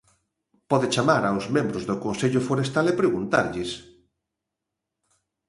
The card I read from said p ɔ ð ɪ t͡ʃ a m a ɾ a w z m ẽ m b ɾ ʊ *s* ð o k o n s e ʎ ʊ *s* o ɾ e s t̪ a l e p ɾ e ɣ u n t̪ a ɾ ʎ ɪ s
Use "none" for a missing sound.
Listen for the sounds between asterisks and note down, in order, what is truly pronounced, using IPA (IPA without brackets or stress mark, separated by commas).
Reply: z, f